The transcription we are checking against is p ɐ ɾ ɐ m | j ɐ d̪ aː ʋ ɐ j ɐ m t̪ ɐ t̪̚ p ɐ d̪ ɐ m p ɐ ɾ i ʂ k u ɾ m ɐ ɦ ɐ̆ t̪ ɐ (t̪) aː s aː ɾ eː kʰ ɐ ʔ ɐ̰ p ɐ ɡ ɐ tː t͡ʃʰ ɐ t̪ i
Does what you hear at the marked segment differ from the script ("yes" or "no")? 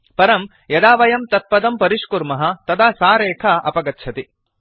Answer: yes